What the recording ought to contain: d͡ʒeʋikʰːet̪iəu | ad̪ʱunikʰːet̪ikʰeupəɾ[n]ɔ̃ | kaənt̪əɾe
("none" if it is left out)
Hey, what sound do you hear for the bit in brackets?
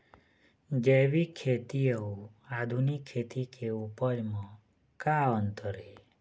m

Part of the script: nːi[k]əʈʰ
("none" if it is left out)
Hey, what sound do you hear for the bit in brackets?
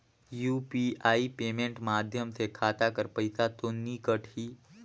k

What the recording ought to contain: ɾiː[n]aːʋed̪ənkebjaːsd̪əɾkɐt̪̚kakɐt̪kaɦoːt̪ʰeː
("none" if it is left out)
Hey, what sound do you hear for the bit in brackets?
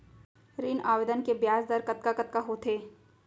n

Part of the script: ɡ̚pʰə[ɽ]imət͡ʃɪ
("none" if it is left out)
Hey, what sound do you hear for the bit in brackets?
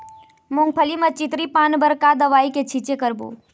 l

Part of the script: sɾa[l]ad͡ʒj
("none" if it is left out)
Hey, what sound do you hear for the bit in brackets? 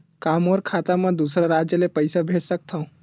ɾ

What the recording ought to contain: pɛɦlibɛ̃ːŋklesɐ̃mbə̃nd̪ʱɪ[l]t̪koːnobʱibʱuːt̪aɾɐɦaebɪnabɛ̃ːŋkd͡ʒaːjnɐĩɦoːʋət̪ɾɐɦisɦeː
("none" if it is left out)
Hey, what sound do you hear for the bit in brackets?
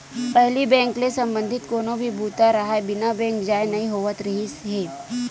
none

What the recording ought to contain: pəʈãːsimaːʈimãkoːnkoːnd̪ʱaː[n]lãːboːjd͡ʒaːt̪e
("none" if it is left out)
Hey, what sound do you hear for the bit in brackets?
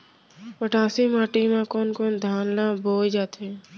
n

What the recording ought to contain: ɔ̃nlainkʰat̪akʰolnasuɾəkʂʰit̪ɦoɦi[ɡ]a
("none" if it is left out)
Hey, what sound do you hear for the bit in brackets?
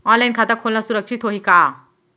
k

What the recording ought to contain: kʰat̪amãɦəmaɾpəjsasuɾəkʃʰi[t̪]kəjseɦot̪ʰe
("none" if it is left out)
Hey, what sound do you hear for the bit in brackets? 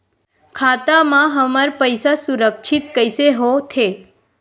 t̪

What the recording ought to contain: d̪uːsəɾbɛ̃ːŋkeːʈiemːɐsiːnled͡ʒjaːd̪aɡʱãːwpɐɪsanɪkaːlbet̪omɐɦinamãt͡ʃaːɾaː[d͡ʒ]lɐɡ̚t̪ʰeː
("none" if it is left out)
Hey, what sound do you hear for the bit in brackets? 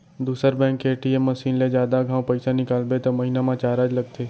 d͡ʒ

